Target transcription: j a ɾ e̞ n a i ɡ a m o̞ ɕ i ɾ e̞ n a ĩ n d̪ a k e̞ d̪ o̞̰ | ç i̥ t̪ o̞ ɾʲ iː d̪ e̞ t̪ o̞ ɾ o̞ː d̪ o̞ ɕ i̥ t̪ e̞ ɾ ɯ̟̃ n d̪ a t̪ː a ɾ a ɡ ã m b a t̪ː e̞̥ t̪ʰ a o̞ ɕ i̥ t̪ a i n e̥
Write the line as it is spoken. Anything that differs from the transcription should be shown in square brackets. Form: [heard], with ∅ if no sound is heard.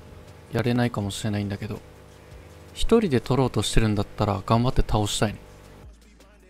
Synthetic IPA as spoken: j a ɾ e̞ n a i [k] a m o̞ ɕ i ɾ e̞ n a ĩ n d̪ a k e̞ d̪ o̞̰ | ç i̥ t̪ o̞ ɾʲ [i] d̪ e̞ t̪ o̞ ɾ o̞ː [t̪] o̞ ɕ i̥ t̪ e̞ ɾ ɯ̟̃ n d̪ a t̪ː a ɾ a ɡ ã m b a t̪ː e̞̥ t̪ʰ a o̞ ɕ i̥ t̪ a i n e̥